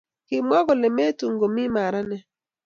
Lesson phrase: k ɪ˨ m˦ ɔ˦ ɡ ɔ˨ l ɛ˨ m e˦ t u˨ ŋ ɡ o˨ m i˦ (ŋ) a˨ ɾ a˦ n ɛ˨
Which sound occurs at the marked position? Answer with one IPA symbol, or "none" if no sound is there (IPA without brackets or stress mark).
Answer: m